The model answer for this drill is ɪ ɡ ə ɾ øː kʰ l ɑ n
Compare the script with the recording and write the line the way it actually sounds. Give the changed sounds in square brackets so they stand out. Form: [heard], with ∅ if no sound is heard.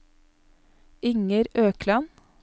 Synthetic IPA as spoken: ɪ [ŋ] ə ɾ øː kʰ l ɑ n